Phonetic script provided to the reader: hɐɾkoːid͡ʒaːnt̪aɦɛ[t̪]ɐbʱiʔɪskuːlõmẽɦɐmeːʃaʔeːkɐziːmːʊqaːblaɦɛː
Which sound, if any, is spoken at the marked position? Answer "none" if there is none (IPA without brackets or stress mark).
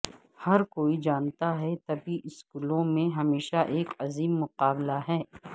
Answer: t̪